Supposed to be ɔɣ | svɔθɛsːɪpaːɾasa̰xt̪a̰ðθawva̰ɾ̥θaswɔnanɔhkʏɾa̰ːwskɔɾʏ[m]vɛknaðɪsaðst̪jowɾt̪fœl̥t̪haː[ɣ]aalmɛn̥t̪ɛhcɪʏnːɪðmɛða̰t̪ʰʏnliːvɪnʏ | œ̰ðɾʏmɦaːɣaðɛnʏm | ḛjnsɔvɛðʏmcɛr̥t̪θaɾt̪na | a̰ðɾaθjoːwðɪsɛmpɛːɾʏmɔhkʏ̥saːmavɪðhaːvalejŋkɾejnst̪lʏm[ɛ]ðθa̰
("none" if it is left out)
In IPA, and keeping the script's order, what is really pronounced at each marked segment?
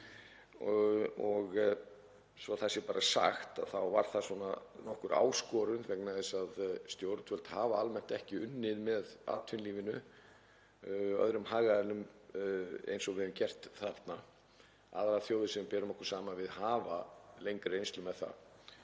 n, v, ɛ

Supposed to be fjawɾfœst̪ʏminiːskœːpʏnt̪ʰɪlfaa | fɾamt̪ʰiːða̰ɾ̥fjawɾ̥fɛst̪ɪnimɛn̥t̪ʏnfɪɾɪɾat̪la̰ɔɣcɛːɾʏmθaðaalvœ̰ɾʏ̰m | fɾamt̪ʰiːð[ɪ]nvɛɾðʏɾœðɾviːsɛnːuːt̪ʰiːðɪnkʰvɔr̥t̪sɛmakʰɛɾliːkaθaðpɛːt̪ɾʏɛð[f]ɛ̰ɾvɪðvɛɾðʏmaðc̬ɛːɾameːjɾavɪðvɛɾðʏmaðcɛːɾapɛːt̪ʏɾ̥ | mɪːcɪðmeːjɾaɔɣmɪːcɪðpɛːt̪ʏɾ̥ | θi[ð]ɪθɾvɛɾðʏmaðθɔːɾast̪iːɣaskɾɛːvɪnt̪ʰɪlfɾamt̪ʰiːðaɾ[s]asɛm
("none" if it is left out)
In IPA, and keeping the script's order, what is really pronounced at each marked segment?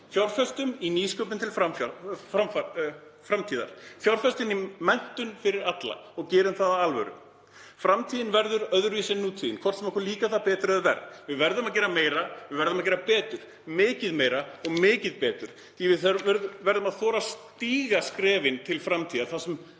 ɪ, v, v, θ

